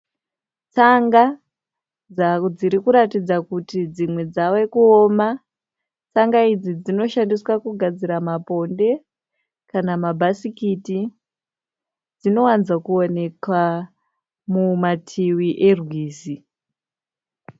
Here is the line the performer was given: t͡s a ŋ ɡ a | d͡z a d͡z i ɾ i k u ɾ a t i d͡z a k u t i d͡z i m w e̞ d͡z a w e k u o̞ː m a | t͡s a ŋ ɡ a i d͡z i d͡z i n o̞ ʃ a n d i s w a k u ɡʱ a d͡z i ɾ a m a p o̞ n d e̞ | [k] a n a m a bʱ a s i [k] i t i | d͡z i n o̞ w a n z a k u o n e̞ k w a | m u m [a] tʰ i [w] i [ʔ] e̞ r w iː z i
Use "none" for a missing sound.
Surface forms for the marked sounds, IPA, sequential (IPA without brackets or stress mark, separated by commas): k, k, a, w, ʔ